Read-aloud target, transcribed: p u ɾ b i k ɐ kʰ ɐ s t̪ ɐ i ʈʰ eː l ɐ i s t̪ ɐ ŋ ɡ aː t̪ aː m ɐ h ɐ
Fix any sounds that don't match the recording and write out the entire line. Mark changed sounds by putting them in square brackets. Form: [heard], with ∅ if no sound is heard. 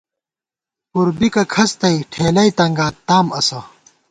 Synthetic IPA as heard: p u ɾ b i k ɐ kʰ ɐ s t̪ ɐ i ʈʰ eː l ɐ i [∅] t̪ ɐ ŋ ɡ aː t̪ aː m ɐ [s] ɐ